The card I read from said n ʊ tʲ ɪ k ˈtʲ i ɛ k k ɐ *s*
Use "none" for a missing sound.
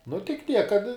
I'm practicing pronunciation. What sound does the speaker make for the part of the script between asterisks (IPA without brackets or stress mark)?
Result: t